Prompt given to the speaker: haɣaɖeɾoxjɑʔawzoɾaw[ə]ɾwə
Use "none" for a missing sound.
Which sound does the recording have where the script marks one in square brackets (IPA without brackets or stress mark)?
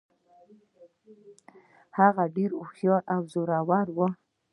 a